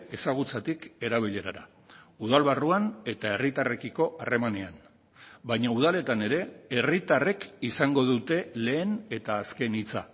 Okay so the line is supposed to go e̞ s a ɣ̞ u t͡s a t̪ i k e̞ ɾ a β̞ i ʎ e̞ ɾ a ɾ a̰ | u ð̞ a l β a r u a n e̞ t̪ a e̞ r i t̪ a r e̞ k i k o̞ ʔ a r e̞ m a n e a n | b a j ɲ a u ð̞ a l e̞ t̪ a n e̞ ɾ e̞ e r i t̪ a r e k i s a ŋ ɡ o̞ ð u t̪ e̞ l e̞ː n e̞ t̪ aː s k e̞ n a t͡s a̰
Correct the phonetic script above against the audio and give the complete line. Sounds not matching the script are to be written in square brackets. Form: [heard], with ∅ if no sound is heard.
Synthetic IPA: e̞ s a ɣ̞ u t͡s a t̪ i k e̞ ɾ a β̞ i ʎ e̞ ɾ a ɾ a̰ | u ð̞ a l β a r u a n e̞ t̪ a e̞ r i t̪ a r e̞ k i k o̞ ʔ a r e̞ m a n e a n | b a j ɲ a u ð̞ a l e̞ t̪ a n e̞ ɾ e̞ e r i t̪ a r e k i s a ŋ ɡ o̞ ð u t̪ e̞ l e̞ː n e̞ t̪ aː s k e̞ n [i] t͡s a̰